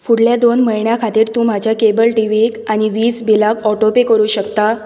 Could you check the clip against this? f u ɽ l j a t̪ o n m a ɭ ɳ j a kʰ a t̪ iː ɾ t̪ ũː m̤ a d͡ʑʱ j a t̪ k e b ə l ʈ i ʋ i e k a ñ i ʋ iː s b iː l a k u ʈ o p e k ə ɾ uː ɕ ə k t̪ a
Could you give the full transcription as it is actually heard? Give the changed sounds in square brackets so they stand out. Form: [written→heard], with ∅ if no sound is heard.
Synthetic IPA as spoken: f u ɽ l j a [t̪→d̪] o n m [a→ə] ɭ ɳ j a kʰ a t̪ iː ɾ t̪ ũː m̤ a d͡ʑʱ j a [t̪→∅] k e b ə l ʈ i ʋ i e k a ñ i ʋ iː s b [iː→i] l a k [u→ɔ] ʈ o p e k ə ɾ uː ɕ ə k t̪ a